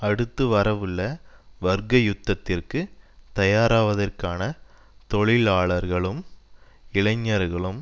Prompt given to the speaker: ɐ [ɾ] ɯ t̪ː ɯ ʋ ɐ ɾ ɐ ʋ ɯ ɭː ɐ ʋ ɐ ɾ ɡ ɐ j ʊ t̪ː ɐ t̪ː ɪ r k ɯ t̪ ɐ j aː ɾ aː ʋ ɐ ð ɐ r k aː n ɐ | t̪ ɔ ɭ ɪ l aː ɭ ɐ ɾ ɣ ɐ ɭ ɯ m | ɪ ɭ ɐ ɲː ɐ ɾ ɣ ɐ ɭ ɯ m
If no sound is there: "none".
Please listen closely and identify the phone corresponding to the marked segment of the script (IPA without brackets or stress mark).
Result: ɽ